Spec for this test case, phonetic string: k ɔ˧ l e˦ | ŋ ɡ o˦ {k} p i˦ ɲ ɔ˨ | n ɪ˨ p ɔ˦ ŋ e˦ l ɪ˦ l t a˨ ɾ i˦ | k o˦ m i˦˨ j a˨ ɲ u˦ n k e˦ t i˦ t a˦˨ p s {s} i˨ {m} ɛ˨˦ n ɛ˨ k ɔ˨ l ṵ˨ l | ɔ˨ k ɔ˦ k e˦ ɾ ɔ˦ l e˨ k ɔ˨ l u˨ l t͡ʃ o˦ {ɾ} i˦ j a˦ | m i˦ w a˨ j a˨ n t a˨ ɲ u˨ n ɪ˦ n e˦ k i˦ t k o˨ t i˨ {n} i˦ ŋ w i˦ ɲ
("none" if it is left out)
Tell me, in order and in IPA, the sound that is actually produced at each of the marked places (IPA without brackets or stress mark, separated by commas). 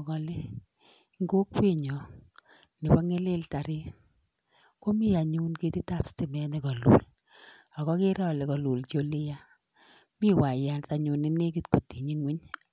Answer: k, t, m, l, ɲ